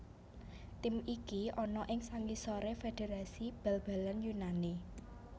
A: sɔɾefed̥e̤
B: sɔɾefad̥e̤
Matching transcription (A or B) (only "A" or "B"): A